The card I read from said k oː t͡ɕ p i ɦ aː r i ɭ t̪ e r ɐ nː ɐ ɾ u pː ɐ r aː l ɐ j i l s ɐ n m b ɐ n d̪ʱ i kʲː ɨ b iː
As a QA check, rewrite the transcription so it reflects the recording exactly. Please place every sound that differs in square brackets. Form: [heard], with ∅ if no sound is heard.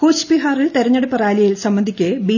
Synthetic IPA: k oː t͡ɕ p i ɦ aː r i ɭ t̪ e [ɾ] ɐ [ɲː] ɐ [ɽ] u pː ɐ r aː l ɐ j i l s ɐ [∅] m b ɐ n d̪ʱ i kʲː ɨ b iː